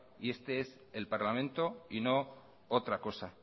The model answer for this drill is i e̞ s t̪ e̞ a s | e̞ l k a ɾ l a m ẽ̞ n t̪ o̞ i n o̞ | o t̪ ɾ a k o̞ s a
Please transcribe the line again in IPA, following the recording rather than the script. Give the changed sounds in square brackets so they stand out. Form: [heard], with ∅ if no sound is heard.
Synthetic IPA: i e̞ s t̪ e̞ [e] s | e̞ l [p] a ɾ l a m ẽ̞ n t̪ o̞ i n o̞ | o t̪ ɾ a k o̞ s a